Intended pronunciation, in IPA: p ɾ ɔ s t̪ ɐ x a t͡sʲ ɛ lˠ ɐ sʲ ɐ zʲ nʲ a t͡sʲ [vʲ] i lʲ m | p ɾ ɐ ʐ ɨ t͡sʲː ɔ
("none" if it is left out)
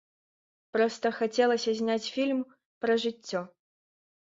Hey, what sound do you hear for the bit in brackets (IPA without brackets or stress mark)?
fʲ